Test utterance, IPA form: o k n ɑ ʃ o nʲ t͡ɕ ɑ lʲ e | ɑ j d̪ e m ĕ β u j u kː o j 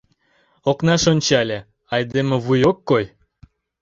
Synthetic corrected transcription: o k n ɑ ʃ o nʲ t͡ɕ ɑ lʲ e | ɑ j d̪ e m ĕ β u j o kː o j